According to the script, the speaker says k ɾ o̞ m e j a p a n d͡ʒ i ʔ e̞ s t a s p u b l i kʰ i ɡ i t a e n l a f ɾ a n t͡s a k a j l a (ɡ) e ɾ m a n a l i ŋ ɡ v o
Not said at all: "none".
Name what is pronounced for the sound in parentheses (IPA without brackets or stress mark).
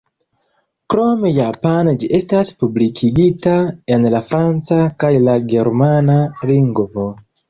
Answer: ɡ